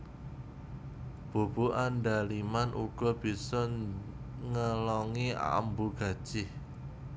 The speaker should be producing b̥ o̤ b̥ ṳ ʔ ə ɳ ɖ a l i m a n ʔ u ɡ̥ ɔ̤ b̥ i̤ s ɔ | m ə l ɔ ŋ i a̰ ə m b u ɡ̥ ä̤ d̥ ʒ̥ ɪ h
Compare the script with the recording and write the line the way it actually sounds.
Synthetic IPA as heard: b̥ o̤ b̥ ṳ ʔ a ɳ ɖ a l i m a n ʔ u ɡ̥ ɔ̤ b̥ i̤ s ɔ | ŋ ə l ɔ ŋ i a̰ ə m b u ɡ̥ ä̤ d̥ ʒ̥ ɪ h